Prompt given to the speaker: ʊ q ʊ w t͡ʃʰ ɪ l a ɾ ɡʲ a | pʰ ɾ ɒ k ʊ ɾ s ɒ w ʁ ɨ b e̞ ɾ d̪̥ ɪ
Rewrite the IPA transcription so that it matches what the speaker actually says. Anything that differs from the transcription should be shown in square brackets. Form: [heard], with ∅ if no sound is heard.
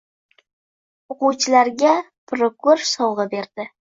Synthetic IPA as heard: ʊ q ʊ w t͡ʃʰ ɪ l a ɾ ɡʲ a | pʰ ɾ [o] k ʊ ɾ s ɒ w ʁ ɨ b e̞ ɾ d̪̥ ɪ